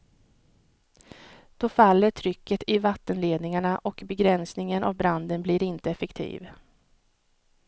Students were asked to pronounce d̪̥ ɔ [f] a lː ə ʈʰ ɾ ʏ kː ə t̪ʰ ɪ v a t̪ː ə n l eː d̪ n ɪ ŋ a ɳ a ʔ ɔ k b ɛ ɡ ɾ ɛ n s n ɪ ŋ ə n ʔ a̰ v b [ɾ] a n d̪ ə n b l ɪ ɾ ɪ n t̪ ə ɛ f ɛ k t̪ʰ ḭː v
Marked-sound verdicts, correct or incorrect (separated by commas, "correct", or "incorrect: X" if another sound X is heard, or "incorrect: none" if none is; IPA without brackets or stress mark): correct, correct